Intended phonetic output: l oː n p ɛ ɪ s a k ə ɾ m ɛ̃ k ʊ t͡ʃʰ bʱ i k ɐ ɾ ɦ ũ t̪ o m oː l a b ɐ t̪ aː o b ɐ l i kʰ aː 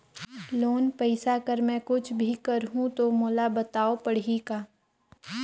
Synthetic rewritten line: l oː n p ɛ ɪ s a k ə ɾ m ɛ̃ k ʊ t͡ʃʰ bʱ i k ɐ ɾ ɦ ũ t̪ o m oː l a b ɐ t̪ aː o p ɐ ɽ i k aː